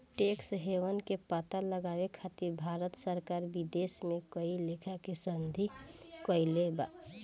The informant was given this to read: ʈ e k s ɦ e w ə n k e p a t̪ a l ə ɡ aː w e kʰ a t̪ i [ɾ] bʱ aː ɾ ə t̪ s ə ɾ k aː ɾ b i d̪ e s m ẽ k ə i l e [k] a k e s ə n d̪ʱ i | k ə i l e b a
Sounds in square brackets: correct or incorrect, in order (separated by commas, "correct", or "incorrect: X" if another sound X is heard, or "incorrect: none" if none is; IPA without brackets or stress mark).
correct, incorrect: kʰ